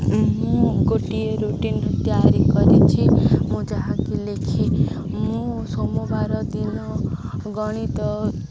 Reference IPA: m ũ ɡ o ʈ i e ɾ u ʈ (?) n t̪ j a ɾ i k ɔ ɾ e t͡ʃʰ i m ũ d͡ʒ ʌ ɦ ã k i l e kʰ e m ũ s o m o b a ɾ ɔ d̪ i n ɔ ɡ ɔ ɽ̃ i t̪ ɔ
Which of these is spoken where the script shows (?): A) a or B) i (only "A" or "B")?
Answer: B